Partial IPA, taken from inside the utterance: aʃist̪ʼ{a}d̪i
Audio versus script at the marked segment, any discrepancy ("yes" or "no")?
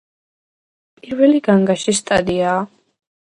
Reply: no